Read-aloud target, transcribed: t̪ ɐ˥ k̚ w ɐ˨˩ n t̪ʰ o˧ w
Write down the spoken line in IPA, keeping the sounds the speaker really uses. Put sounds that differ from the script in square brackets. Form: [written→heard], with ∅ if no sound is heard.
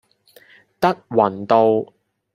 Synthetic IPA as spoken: t̪ ɐ˥ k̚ w ɐ˨˩ n [t̪ʰ→t̪] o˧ w